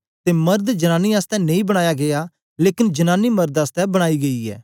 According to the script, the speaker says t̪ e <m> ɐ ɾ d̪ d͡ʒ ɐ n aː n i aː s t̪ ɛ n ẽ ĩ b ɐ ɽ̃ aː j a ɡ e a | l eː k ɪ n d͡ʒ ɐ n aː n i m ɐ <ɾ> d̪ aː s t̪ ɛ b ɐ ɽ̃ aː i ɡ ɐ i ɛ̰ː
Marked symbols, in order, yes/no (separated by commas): yes, yes